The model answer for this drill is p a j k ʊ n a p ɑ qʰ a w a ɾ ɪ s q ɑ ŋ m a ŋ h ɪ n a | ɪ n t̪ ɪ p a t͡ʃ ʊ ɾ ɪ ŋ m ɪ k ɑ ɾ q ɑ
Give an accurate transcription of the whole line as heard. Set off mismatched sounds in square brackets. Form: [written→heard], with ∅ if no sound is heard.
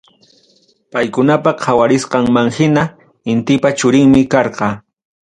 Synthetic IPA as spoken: p a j k ʊ n a p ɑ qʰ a w a ɾ ɪ s q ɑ ŋ m a ŋ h ɪ n a | ɪ n t̪ ɪ p a t͡ʃ ʊ ɾ ɪ ŋ m ɪ k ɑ ɾ q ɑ